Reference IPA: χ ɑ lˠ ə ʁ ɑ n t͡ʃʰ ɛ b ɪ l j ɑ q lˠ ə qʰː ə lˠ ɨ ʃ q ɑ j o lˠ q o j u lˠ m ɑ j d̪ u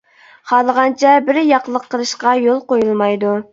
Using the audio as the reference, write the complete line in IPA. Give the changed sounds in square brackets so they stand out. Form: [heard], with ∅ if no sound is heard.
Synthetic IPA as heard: χ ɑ lˠ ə ʁ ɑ n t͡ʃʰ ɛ b ɪ [ɾ] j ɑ q lˠ ə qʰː ə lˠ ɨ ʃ q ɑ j o lˠ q o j u lˠ m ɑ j d̪ u